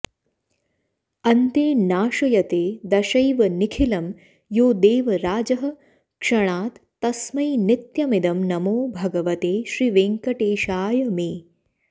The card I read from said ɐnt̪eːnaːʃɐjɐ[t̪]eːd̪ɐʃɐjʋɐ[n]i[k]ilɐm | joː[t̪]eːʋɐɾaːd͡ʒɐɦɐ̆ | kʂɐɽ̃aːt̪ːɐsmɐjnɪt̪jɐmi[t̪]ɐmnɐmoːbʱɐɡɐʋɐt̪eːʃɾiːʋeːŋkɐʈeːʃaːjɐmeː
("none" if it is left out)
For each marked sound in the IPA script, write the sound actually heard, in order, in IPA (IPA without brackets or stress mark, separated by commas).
t̪, n, kʰ, d̪, d̪